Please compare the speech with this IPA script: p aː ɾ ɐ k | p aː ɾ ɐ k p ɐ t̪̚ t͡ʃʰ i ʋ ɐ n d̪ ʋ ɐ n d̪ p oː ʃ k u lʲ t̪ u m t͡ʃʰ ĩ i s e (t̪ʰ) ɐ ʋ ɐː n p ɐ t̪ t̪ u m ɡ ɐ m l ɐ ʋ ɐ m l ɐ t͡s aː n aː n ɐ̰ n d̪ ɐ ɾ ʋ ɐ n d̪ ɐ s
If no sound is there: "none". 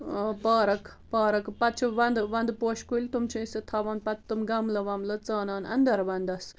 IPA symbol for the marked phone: t̪ʰ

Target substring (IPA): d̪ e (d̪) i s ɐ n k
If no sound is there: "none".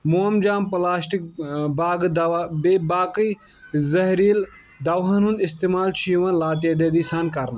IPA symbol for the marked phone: d̪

